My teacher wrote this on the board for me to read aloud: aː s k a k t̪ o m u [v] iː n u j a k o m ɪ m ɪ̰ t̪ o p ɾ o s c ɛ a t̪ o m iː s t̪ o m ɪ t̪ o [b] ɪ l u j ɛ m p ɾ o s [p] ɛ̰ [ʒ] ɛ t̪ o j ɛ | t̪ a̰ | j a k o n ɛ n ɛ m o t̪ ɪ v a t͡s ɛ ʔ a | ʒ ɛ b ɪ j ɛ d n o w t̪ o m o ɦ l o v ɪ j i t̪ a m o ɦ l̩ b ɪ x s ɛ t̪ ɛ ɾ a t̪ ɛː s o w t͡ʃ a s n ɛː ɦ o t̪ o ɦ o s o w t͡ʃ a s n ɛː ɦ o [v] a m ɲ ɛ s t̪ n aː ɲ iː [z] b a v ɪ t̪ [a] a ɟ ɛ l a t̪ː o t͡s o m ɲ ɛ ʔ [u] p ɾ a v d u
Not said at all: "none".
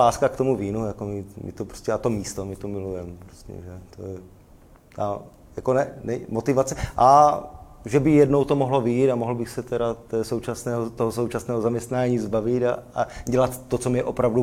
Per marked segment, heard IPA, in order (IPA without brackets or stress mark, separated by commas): v, m, c, ʒ, z, z, a, o